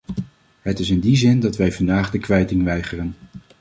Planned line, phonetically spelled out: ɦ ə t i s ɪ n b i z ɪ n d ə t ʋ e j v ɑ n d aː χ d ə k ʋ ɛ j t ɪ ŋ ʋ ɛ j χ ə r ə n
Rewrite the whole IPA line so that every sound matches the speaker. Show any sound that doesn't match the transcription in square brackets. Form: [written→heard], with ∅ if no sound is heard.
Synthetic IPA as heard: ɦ ə t [i→ɪ] s ɪ n [b→d] i z ɪ n d [ə→ɑ] t ʋ [e→ɛ] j v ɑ n d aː χ d ə k ʋ ɛ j t ɪ ŋ ʋ ɛ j χ ə r ə n